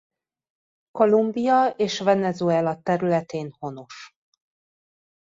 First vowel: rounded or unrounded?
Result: rounded